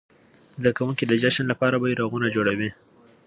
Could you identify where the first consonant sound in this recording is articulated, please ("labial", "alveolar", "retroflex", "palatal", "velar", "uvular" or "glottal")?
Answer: alveolar